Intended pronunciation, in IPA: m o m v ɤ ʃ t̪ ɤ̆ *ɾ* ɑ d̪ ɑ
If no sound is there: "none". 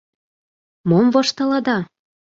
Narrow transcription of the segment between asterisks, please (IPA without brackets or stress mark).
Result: l